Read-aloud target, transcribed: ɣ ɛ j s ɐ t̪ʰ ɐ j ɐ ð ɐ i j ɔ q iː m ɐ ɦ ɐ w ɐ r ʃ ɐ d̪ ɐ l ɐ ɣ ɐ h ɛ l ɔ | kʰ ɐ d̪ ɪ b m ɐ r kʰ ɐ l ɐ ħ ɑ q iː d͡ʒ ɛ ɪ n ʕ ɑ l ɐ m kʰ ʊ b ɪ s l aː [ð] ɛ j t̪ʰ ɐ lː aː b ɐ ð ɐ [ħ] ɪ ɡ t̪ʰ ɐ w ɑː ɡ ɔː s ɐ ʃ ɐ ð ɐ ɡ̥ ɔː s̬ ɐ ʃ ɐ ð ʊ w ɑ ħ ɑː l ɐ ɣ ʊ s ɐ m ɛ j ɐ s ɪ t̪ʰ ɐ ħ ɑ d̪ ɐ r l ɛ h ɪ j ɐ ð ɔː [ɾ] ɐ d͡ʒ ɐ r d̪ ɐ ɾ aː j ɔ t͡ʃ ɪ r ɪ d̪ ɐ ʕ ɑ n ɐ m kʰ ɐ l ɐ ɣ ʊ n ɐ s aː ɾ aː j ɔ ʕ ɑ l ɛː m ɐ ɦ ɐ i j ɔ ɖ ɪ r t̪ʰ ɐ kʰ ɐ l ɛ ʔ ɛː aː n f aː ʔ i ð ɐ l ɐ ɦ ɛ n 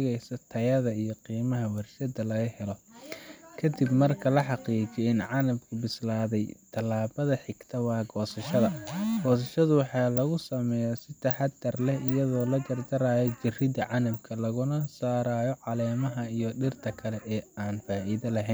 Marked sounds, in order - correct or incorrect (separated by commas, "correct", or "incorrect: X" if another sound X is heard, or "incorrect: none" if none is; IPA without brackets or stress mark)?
correct, correct, incorrect: l